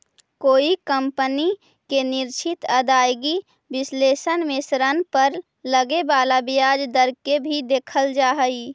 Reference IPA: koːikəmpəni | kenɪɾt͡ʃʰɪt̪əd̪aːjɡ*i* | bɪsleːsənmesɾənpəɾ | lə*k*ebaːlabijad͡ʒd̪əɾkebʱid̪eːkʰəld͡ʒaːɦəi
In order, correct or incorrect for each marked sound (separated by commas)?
correct, incorrect